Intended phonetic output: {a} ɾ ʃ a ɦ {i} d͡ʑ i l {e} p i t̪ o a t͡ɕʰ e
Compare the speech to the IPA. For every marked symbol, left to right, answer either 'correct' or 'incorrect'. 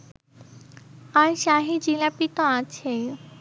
correct, correct, incorrect: a

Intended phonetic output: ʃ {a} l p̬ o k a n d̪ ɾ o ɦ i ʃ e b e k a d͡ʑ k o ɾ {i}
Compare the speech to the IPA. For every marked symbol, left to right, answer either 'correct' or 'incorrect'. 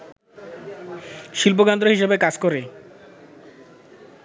incorrect: i, incorrect: e

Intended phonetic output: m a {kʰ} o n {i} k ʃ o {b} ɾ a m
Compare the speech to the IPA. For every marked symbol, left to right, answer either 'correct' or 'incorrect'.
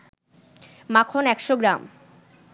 correct, incorrect: ɛ, incorrect: ɡ

